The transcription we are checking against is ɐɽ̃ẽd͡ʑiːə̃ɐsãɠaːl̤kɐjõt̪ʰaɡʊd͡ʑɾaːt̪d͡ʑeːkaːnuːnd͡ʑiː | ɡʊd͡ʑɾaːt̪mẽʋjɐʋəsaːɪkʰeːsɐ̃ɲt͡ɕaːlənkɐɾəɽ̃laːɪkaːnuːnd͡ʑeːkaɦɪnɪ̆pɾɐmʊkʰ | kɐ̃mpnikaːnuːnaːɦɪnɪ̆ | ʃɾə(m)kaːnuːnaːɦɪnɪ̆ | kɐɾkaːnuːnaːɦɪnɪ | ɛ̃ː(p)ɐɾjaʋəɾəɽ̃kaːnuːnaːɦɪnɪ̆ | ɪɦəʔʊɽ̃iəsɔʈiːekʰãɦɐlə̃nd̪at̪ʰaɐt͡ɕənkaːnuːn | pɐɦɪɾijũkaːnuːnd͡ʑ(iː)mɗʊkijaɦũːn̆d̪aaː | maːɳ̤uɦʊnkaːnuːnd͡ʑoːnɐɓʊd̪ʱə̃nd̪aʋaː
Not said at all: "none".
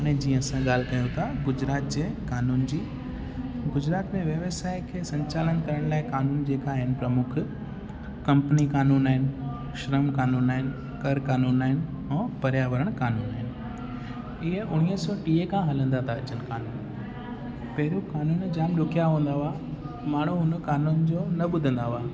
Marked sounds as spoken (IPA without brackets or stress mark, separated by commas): m, p, aː